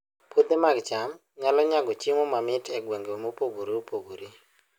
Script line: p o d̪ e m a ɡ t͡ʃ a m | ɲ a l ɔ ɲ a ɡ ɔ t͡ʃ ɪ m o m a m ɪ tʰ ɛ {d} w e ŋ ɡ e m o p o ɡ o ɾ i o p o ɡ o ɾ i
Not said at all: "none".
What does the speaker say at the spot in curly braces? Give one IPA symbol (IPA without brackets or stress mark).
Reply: ɡ